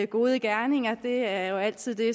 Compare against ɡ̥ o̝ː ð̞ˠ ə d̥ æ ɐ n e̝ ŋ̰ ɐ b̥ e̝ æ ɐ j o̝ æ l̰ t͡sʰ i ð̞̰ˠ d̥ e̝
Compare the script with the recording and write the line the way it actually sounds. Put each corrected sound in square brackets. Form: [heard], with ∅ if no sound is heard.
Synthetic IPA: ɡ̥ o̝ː ð̞ˠ ə [ɡ̥] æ ɐ n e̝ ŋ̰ ɐ [d̥] e̝ æ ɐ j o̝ æ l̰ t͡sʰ i ð̞̰ˠ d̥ e̝